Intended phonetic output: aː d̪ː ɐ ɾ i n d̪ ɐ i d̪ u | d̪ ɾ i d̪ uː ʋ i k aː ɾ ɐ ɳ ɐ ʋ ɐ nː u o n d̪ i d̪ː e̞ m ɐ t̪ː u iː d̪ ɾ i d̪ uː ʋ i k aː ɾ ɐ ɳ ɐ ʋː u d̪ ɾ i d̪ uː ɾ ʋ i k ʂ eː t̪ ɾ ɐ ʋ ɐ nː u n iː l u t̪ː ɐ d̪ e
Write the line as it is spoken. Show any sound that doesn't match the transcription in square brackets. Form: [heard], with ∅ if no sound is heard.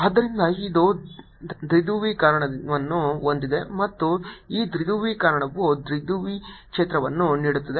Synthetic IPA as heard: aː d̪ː ɐ ɾ i n d̪ ɐ i d̪ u | d̪ ɾ i d̪ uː ʋ i k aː ɾ ɐ ɳ ɐ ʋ ɐ nː u o n d̪ i [d̪] e̞ m ɐ t̪ː u iː d̪ ɾ i d̪ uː ʋ i k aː ɾ ɐ ɳ ɐ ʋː u d̪ ɾ i d̪ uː [∅] ʋ i k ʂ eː t̪ ɾ ɐ ʋ ɐ nː u n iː [ɽ] u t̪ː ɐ d̪ e